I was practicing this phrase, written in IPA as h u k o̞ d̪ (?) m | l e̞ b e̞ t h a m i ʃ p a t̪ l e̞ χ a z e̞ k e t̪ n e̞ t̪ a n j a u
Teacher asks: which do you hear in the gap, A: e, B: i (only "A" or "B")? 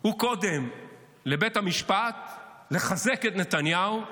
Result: A